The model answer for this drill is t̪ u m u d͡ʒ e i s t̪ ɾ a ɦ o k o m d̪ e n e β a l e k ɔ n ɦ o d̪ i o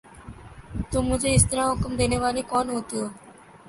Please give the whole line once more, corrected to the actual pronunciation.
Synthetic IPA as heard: t̪ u m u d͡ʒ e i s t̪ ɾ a ɦ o k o m d̪ e n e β a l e k ɔ n ɦ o t̪ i o